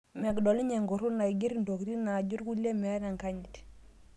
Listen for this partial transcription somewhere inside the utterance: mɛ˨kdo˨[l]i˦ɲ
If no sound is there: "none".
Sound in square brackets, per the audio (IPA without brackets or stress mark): l